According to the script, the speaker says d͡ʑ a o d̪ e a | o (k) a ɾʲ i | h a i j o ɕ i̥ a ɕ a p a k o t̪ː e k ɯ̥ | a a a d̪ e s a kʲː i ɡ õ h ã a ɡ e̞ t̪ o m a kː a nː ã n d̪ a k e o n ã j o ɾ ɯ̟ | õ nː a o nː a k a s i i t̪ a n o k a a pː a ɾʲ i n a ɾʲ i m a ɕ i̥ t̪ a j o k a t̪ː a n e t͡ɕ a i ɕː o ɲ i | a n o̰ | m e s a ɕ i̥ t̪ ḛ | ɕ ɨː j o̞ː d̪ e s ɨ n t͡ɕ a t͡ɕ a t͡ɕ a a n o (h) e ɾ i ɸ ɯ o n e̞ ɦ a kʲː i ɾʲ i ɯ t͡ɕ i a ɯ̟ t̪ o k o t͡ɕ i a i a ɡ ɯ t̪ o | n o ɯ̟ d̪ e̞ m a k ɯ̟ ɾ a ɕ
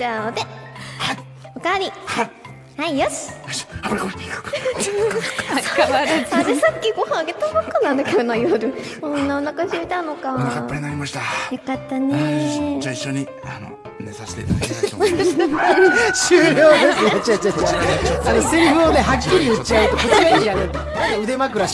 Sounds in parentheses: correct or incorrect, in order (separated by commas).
correct, incorrect